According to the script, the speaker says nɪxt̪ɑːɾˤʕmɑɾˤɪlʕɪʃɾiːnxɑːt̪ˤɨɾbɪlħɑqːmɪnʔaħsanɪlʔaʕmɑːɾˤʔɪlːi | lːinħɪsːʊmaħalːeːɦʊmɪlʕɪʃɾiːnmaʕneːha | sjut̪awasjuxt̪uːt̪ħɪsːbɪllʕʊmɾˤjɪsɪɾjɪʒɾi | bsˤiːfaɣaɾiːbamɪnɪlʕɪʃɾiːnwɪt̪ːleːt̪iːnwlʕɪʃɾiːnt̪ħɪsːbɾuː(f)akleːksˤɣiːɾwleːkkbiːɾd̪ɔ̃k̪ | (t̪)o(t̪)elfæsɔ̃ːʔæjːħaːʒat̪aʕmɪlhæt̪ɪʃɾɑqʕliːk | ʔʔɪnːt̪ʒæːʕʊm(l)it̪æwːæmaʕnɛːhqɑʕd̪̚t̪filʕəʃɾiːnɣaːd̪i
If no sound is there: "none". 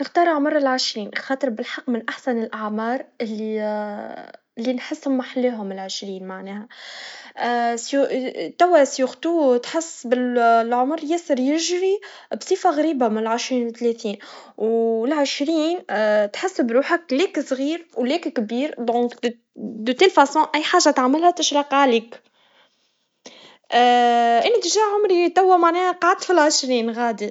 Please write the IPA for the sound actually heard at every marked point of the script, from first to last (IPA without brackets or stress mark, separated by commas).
ħ, d̪, t̪, ɾ